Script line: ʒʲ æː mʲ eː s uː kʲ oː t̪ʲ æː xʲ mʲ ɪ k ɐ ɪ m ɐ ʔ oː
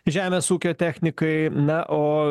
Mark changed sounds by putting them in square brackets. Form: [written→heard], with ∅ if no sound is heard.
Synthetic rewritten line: ʒʲ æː mʲ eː s uː kʲ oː t̪ʲ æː xʲ [mʲ→nʲ] ɪ k ɐ ɪ [m→n] ɐ ʔ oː